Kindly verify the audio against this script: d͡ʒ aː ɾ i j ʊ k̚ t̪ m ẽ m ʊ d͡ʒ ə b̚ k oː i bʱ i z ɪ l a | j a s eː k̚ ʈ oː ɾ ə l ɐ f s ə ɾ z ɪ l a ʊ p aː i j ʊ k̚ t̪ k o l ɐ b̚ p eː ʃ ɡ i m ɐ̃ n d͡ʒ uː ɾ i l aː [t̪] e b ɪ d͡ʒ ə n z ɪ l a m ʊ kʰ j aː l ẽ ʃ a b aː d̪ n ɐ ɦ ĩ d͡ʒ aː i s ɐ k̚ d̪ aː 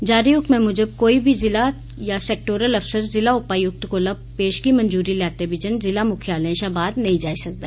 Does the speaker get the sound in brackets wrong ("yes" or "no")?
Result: no